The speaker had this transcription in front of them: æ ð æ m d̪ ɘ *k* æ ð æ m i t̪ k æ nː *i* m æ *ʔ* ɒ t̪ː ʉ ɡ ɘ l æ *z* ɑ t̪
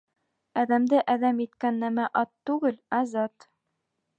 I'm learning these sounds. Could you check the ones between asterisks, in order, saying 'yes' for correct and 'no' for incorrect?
no, no, yes, yes

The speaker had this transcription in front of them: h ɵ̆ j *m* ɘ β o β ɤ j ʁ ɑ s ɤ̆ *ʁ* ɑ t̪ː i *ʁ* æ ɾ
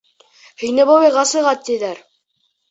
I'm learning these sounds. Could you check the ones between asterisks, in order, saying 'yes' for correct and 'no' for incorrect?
no, yes, no

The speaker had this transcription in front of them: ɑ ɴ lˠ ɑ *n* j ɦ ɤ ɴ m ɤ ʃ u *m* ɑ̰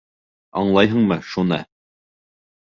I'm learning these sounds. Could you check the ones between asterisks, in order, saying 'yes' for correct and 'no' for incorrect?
no, no

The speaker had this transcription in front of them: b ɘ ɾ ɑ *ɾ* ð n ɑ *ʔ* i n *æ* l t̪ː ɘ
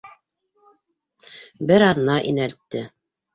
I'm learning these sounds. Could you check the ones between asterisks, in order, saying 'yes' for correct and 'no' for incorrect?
no, yes, yes

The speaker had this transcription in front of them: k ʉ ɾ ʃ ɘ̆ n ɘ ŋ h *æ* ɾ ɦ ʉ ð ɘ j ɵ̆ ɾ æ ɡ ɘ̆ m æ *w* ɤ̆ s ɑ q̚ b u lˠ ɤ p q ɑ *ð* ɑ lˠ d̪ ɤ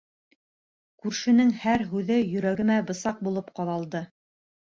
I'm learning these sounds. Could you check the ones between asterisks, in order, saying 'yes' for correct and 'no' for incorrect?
yes, no, yes

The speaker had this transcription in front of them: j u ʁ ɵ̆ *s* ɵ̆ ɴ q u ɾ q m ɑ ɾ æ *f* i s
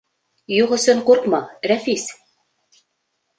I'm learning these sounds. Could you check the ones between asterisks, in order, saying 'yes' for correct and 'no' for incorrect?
yes, yes

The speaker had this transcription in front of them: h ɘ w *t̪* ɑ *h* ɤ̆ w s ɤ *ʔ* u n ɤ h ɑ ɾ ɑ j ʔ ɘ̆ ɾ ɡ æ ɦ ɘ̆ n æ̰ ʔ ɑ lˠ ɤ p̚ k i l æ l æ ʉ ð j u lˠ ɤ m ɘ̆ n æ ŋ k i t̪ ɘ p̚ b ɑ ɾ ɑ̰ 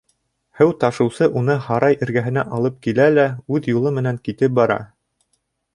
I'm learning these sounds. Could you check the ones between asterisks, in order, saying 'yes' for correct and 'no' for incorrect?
yes, no, yes

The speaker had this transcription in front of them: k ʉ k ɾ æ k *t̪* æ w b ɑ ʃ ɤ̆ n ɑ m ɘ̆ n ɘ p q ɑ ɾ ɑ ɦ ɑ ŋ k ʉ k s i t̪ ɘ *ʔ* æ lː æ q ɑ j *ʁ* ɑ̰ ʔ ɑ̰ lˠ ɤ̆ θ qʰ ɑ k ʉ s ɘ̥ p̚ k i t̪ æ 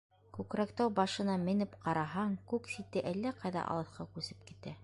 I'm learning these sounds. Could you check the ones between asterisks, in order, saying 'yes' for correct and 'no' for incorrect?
yes, yes, no

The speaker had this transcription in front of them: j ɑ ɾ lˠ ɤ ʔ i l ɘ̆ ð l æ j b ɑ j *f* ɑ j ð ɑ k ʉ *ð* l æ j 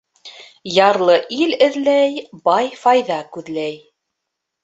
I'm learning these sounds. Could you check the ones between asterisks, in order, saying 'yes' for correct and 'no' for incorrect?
yes, yes

